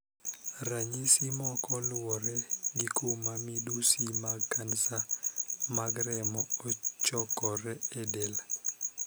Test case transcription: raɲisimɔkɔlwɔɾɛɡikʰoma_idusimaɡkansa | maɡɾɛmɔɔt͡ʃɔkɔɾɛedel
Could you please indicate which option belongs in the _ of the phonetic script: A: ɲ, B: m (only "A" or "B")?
B